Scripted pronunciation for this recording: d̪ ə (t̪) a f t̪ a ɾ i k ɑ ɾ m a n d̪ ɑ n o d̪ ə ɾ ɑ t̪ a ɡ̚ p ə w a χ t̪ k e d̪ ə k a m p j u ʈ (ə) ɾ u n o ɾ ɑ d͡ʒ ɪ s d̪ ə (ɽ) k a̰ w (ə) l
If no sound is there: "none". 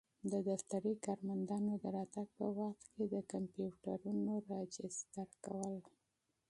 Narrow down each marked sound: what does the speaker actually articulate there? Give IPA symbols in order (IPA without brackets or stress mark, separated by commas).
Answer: d̪, a, ɾ, ə